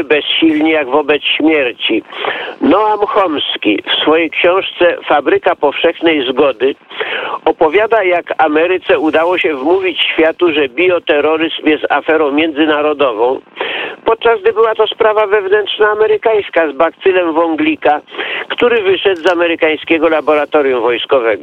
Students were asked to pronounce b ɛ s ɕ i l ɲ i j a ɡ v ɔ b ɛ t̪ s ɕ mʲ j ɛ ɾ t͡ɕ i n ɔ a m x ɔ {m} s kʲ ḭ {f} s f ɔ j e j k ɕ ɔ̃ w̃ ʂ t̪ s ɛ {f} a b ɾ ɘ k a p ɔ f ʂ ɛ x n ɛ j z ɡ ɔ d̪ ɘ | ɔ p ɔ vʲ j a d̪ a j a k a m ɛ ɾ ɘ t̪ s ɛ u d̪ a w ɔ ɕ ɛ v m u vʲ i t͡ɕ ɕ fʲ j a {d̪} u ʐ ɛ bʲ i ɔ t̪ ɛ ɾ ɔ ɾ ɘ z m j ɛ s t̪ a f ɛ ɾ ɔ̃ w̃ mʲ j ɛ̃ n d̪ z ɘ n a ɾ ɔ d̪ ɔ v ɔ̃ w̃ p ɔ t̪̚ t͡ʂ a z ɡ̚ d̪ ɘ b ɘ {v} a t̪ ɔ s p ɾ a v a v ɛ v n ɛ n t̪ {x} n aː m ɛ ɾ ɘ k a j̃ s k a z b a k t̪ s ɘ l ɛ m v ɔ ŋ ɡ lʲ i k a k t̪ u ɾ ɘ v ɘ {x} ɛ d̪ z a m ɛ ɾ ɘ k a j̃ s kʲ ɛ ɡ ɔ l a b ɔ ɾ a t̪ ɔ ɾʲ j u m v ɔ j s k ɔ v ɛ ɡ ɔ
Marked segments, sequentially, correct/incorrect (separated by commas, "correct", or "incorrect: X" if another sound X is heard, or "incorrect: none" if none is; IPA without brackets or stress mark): correct, correct, correct, incorrect: t̪, incorrect: w, incorrect: ʂ, incorrect: ʂ